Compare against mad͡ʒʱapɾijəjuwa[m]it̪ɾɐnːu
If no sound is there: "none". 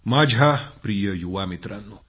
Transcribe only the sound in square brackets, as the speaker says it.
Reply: m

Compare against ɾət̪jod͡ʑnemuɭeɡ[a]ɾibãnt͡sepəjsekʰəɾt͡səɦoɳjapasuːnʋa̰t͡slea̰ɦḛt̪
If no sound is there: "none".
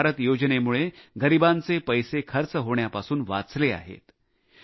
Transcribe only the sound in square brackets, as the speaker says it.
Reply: ə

